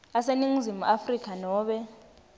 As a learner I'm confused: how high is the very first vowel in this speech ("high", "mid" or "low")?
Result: low